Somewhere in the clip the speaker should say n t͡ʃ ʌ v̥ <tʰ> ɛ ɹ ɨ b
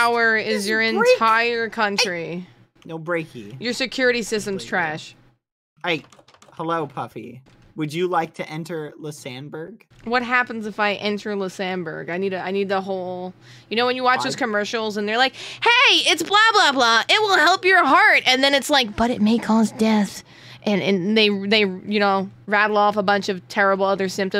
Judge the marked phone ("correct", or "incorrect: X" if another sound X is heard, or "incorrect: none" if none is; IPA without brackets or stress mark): correct